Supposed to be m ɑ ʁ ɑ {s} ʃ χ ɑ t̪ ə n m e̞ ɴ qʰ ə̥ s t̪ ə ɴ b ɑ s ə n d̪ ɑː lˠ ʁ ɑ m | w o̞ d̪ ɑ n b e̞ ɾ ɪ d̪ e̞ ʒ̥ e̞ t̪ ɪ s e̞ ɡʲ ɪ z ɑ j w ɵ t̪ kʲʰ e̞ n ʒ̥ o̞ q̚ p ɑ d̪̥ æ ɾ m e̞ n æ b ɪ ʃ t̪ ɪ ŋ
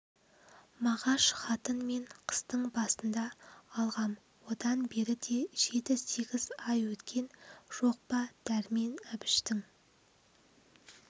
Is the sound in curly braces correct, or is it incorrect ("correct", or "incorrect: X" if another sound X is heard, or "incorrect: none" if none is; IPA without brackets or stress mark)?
incorrect: none